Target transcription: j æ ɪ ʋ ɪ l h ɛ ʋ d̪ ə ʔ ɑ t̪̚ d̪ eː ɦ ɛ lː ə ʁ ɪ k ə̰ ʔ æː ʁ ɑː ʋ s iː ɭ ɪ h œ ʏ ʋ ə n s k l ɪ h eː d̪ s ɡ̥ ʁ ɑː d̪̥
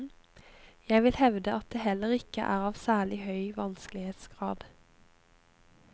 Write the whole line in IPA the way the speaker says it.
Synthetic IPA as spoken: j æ ɪ ʋ ɪ l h ɛ ʋ d̪ ə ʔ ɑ t̪̚ d̪ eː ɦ ɛ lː ə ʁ ɪ k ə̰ ʔ æː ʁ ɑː ʋ s æː ɭ ɪ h œ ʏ ʋ ɑ n s k l ɪ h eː t̪ s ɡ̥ ʁ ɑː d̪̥